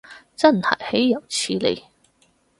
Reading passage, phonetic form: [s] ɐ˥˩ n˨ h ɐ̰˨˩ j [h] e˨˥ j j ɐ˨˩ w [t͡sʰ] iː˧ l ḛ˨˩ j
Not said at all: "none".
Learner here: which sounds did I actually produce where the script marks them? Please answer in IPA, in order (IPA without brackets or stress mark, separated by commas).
t͡s, h, t͡sʰ